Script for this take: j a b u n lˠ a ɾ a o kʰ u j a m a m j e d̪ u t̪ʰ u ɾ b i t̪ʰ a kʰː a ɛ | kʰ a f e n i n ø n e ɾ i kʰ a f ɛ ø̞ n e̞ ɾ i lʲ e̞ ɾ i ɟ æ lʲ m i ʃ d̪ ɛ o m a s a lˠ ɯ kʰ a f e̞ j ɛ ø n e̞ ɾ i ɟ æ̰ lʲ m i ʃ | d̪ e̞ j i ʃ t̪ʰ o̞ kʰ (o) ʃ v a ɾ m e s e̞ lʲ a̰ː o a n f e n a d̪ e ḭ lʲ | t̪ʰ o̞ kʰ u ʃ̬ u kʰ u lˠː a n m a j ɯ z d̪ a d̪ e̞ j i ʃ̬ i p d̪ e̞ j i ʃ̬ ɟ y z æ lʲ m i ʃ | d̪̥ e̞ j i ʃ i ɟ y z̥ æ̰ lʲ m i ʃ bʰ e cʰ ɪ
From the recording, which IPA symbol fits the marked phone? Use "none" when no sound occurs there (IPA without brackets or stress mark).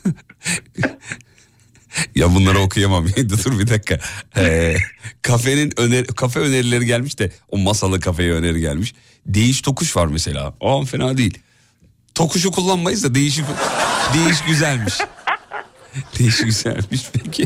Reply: u